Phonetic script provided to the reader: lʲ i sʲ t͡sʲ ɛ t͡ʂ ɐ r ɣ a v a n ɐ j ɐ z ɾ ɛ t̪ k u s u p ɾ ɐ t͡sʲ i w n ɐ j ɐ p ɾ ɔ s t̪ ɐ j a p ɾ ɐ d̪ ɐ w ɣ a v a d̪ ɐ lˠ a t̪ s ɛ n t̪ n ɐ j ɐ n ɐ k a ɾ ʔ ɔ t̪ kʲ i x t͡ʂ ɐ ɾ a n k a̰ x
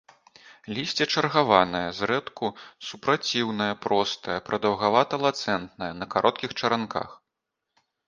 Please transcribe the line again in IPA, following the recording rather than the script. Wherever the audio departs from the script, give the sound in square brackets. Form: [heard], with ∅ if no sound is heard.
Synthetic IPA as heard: lʲ i sʲ t͡sʲ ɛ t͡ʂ ɐ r ɣ a v a n ɐ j ɐ z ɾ ɛ t̪ k u s u p ɾ [a] t͡sʲ i w n ɐ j ɐ p ɾ ɔ s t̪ ɐ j [ɐ] p ɾ ɐ d̪ ɐ w ɣ a v a [t̪] ɐ lˠ a t̪ s ɛ n t̪ n ɐ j ɐ n ɐ k a ɾ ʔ ɔ t̪ kʲ i x t͡ʂ ɐ ɾ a n k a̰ x